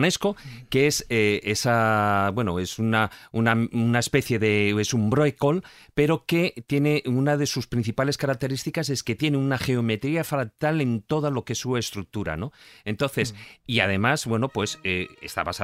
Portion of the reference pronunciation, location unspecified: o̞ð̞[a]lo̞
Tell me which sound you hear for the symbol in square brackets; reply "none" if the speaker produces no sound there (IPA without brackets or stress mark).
a